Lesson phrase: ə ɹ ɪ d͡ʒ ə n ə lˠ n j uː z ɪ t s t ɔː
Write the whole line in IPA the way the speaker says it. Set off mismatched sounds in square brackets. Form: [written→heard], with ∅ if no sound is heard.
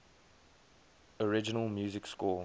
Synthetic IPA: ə ɹ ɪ d͡ʒ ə n ə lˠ [n→m] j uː z ɪ [t→k] s [t→k] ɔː